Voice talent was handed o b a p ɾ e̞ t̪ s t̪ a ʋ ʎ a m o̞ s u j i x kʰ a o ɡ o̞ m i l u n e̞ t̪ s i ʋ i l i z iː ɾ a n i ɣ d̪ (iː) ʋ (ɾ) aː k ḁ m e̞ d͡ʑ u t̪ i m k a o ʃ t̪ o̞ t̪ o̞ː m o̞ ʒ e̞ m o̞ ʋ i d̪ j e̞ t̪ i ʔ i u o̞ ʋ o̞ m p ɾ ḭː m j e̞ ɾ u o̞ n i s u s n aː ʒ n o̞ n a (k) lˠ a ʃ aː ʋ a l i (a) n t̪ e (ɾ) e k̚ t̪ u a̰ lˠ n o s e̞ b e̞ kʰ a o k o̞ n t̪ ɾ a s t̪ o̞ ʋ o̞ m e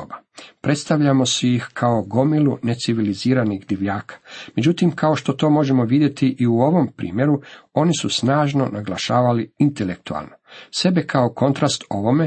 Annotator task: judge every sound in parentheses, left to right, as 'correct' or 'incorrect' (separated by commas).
incorrect, incorrect, incorrect, incorrect, incorrect